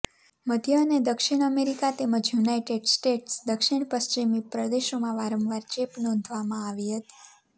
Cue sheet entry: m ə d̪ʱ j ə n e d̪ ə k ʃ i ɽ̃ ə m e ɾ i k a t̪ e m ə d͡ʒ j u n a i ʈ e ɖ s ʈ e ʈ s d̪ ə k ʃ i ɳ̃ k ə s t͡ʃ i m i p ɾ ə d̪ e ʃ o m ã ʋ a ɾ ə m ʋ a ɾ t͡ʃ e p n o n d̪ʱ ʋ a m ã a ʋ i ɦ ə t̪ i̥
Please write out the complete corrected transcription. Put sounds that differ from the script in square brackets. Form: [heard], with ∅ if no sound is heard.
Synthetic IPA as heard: m ə d̪ʱ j ə n e d̪ ə k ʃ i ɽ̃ ə m e ɾ i k a t̪ e m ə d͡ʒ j u n a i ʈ e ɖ s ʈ e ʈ s d̪ ə k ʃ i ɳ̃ [p] ə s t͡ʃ i m i p ɾ ə d̪ e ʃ o m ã ʋ a ɾ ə m ʋ a ɾ t͡ʃ e p n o n d̪ʱ ʋ a m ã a ʋ i ɦ ə t̪ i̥